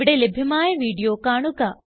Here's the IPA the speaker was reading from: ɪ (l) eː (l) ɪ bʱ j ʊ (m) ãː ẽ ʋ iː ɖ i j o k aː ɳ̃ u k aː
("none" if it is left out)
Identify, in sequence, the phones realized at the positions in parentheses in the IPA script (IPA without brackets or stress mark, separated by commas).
ɽ, l, m